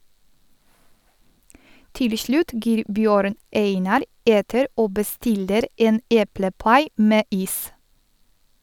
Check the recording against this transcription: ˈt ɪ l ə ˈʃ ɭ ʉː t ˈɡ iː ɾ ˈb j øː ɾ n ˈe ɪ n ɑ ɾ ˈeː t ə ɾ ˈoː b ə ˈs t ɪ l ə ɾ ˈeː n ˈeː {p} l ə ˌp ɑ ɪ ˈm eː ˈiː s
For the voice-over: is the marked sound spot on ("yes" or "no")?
yes